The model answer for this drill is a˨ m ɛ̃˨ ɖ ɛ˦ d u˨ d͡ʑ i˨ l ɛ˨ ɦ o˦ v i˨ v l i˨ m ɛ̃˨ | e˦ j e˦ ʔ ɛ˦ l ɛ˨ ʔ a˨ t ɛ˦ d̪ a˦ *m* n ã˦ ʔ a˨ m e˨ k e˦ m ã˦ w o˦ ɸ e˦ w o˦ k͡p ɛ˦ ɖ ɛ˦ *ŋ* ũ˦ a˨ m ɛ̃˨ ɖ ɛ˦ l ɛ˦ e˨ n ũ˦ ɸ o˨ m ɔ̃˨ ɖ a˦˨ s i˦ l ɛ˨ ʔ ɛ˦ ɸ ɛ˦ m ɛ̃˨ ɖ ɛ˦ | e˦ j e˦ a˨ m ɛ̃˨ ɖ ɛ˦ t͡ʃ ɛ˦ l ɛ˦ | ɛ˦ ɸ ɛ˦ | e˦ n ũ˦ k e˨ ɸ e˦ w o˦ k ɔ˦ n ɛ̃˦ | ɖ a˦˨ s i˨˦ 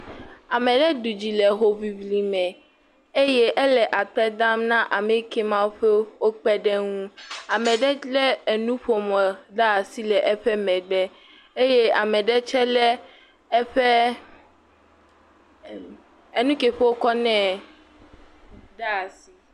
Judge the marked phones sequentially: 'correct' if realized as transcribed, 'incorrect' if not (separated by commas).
correct, correct